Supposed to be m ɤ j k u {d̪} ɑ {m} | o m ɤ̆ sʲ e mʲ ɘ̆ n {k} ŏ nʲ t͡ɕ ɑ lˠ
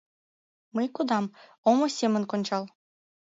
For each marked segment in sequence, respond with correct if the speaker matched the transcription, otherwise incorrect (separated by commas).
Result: correct, correct, correct